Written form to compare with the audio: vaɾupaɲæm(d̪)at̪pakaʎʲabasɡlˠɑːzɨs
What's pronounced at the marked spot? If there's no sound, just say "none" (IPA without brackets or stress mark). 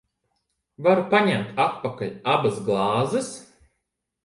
t̪